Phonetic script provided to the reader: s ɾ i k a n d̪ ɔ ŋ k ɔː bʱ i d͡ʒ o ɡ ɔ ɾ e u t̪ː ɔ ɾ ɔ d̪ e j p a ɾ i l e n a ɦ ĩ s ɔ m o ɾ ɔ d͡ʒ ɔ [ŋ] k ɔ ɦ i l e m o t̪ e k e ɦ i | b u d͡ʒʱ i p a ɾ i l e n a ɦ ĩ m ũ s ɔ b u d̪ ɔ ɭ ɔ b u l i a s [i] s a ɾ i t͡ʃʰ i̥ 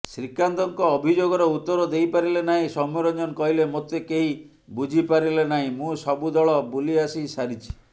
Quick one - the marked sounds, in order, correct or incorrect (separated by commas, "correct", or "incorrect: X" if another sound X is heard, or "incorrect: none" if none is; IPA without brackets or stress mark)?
incorrect: n, correct